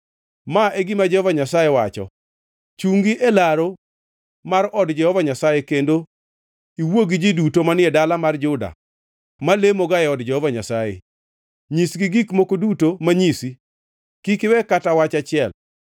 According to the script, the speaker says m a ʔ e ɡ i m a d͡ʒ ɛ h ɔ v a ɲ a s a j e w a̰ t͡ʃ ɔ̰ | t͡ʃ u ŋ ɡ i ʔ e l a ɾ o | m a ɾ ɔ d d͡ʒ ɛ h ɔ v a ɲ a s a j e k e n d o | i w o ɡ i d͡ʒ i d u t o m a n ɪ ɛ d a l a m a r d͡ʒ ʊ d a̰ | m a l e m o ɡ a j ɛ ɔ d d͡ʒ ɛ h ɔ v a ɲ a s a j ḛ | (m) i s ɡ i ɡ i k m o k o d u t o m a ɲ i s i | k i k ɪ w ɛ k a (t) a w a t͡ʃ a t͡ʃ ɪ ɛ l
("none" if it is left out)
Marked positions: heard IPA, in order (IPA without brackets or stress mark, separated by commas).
ɲ, t